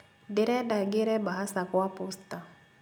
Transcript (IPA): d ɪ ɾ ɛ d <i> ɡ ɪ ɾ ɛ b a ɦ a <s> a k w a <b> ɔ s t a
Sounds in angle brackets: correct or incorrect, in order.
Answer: incorrect, correct, incorrect

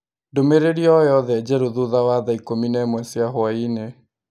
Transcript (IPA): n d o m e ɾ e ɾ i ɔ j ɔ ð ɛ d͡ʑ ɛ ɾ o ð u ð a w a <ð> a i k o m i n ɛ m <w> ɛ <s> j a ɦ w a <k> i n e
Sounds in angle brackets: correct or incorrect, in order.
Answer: correct, correct, correct, incorrect

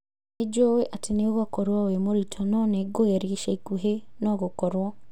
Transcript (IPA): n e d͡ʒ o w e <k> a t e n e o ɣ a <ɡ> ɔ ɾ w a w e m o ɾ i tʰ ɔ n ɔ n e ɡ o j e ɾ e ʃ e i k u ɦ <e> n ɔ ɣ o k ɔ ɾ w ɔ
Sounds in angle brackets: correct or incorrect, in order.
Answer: incorrect, incorrect, correct

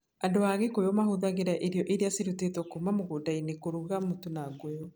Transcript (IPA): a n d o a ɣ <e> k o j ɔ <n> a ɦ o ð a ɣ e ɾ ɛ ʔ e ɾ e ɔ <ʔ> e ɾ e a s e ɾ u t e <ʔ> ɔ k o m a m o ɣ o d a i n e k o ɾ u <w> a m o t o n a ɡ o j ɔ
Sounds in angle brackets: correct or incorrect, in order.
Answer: correct, incorrect, correct, incorrect, incorrect

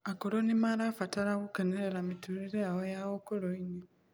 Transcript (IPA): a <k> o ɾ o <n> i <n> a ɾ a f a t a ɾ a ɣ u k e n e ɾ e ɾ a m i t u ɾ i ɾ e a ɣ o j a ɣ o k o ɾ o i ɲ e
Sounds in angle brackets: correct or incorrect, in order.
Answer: correct, correct, incorrect

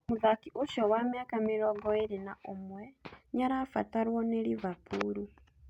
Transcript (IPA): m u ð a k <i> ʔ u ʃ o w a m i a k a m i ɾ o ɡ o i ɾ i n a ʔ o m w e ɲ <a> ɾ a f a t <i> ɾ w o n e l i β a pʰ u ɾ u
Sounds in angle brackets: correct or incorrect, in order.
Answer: correct, correct, incorrect

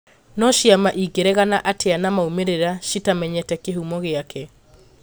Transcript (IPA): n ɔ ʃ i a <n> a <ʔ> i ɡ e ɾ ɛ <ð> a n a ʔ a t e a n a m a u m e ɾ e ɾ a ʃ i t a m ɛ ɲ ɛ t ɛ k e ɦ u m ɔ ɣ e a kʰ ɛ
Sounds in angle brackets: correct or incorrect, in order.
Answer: incorrect, correct, incorrect

